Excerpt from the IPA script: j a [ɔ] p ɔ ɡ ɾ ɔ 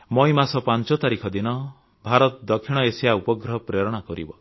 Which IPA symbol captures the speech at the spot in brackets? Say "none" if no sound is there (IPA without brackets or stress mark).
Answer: u